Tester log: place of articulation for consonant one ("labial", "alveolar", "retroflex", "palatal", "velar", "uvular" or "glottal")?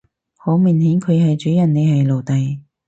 glottal